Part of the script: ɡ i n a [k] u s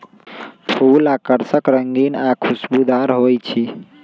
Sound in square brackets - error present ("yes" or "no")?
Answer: yes